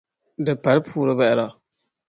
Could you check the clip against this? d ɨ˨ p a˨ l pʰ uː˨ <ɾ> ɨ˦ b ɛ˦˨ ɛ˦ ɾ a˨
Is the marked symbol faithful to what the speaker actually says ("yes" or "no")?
yes